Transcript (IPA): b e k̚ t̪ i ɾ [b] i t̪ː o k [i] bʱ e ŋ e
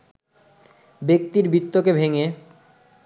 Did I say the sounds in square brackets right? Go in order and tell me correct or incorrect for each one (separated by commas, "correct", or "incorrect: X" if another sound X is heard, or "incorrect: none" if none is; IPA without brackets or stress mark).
correct, incorrect: e